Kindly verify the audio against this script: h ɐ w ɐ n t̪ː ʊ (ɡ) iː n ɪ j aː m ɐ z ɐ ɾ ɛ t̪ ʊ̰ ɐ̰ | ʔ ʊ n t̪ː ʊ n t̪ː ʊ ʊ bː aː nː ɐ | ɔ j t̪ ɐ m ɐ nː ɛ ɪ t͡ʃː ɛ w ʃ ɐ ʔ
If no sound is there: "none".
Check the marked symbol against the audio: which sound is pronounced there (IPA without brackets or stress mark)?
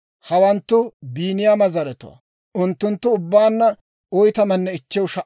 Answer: b